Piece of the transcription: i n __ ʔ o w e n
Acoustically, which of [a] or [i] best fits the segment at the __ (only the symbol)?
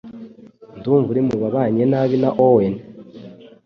a